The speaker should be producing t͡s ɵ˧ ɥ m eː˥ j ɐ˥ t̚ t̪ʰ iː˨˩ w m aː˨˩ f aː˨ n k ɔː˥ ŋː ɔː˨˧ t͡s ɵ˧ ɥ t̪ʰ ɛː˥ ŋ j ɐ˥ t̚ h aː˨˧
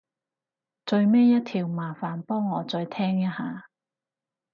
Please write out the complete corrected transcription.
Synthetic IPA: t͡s ɵ˧ ɥ m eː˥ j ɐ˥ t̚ t̪ʰ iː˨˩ w m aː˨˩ f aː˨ n p ɔː˥ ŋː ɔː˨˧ t͡s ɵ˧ ɥ t̪ʰ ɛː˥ ŋ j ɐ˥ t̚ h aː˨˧